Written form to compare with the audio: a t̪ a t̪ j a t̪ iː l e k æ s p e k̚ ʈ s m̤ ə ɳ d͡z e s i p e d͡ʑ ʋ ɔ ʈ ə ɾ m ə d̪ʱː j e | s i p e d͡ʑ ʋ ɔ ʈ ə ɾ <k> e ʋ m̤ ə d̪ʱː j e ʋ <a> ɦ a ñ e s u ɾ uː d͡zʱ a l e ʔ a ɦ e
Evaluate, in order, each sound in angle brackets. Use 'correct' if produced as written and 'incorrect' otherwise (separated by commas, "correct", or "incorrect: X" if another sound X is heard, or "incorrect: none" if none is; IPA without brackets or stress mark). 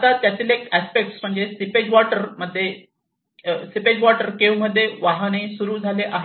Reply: correct, correct